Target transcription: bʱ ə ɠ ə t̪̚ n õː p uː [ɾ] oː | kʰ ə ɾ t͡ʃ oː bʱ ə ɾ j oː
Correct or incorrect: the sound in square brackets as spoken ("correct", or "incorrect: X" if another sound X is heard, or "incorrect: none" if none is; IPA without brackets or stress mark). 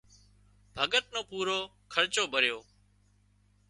correct